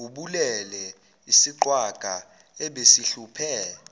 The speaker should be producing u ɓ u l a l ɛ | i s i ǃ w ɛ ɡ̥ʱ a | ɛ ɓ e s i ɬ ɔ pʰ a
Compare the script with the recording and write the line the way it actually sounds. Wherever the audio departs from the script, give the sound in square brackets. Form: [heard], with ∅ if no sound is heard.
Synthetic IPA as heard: u ɓ u l [ɛ] l ɛ | i s i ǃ w [a] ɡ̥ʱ a | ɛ ɓ e s i ɬ [u] pʰ [ɛ]